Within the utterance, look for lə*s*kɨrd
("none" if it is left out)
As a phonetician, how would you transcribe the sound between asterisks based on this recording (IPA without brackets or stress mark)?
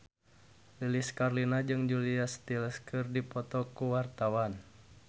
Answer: s